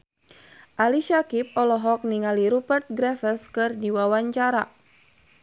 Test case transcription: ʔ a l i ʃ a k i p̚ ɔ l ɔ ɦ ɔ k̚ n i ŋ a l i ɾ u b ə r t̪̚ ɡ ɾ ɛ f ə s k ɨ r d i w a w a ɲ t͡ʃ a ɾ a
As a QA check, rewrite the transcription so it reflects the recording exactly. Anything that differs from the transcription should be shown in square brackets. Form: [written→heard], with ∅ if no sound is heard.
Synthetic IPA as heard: ʔ a l i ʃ a k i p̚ ɔ l ɔ ɦ ɔ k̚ n i ŋ a l i ɾ u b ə r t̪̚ ɡ ɾ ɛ f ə s k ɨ r d i w a w a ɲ t͡ʃ a ɾ a